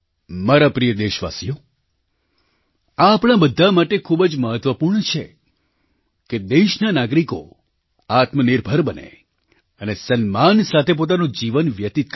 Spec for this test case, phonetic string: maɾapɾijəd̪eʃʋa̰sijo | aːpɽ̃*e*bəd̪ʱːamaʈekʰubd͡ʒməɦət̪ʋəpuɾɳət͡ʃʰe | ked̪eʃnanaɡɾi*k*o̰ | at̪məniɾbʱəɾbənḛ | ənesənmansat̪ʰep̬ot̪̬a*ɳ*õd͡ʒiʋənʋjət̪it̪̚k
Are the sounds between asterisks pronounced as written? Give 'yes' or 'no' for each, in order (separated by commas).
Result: no, yes, no